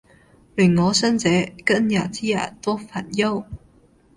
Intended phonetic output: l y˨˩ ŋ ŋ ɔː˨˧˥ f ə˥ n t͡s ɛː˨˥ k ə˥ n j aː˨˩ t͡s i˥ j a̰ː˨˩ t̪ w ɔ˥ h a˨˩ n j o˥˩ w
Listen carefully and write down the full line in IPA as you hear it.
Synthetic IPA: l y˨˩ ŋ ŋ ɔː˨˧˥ s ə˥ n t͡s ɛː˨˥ k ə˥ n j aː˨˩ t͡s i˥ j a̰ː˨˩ t̪ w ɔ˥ f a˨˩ n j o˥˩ w